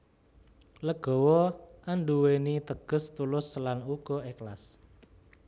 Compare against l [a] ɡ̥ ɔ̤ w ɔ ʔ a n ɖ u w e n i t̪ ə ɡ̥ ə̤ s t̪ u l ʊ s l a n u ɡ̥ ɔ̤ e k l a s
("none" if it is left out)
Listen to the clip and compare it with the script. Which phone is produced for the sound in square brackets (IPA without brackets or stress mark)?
ə